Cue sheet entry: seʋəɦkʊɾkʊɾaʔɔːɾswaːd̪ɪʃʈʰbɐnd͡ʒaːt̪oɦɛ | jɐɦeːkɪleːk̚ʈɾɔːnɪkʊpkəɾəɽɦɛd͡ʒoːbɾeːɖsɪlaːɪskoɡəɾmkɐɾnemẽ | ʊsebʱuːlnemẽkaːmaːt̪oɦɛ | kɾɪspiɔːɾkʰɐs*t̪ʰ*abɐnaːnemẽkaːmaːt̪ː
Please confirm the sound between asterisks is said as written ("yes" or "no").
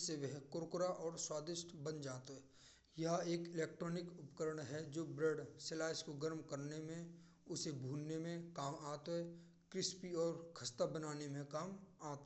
no